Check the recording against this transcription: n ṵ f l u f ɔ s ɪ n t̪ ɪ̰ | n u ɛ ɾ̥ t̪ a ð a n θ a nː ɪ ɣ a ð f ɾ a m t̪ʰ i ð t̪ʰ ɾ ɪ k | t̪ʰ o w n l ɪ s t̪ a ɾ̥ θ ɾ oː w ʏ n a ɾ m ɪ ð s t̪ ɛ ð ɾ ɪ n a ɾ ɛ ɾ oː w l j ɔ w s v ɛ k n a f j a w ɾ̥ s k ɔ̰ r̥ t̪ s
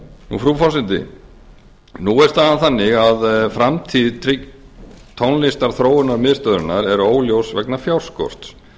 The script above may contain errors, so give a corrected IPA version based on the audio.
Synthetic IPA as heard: n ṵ f ɾ u f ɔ s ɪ n t̪ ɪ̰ | n u ɛ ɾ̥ t̪ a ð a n θ a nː ɪ ɣ a ð f ɾ a m t̪ʰ i ð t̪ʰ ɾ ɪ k | t̪ʰ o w n l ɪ s t̪ a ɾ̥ θ ɾ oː w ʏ n a ɾ m ɪ ð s t̪ œ ð ɾ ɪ n a ɾ ɛ ɾ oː w l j o w s v ɛ k n a f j a w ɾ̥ s k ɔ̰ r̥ t̪ s